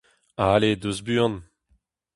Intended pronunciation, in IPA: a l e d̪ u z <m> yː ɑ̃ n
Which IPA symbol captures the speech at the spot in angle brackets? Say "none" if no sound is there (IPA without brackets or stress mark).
b